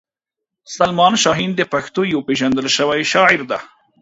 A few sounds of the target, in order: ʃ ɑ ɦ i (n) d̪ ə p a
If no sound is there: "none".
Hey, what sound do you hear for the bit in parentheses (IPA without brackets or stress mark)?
n